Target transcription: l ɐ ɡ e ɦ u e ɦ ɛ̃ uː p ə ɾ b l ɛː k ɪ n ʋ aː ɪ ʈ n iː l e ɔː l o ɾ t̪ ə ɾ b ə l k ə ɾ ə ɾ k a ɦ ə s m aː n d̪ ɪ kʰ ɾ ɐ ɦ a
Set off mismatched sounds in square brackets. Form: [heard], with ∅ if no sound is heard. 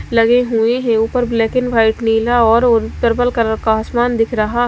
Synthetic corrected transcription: l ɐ ɡ e ɦ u e ɦ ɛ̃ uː p ə ɾ b l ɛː k ɪ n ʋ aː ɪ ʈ n iː l [a] ɔː [ɾ] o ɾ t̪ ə ɾ b ə l k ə ɾ ə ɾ k a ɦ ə s m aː n d̪ ɪ kʰ ɾ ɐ ɦ a